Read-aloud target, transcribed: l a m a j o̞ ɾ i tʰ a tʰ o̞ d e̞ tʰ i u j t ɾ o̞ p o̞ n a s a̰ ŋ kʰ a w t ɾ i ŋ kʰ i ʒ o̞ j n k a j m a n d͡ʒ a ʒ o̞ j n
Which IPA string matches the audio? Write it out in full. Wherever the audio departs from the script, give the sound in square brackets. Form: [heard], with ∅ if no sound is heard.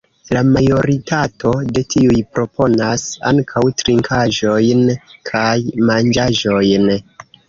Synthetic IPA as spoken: l a m a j o̞ ɾ i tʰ a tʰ o̞ d e̞ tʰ i u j [p] ɾ o̞ p o̞ n a s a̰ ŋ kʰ a w t ɾ i ŋ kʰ [a] ʒ o̞ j n [kʰ] a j m a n d͡ʒ a ʒ o̞ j n